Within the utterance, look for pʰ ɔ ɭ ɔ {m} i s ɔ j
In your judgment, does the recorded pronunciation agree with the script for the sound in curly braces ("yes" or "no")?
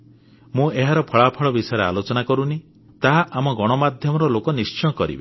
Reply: no